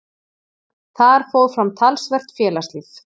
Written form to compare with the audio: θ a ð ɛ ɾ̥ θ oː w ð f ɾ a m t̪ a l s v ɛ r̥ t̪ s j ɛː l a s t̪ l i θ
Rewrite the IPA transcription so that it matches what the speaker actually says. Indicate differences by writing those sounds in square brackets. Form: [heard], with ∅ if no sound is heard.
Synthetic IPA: θ a ð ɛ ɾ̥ [f] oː w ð f ɾ a m [t̪ʰ] a l s v ɛ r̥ t̪ [f] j ɛː l a s t̪ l i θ